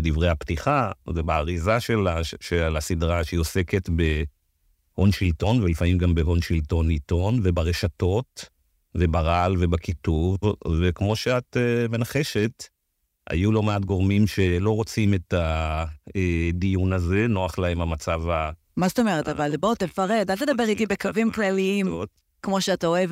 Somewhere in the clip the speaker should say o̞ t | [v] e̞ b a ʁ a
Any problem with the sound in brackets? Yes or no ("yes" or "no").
no